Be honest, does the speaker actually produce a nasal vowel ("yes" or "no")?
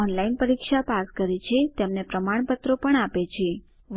no